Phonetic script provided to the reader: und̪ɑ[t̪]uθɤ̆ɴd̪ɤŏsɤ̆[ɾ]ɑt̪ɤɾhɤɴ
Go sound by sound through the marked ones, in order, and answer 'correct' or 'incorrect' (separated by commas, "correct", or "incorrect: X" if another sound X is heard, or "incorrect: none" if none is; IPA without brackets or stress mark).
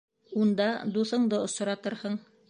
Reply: incorrect: d̪, correct